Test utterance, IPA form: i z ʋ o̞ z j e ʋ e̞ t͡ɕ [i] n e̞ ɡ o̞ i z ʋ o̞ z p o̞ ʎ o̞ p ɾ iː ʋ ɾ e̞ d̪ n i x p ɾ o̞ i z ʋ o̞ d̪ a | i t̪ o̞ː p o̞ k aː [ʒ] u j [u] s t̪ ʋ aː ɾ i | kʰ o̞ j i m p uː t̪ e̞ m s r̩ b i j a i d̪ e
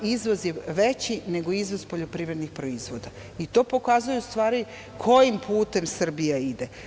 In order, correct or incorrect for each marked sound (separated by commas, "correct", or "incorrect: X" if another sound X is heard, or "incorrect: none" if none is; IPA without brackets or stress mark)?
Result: correct, incorrect: z, correct